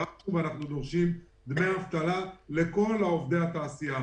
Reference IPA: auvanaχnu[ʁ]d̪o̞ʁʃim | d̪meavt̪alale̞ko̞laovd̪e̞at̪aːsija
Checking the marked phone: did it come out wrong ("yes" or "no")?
yes